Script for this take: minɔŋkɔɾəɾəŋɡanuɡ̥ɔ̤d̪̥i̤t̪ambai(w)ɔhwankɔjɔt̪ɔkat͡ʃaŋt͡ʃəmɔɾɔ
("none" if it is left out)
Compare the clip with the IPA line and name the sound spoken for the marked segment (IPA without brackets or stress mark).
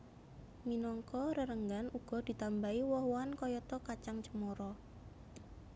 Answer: w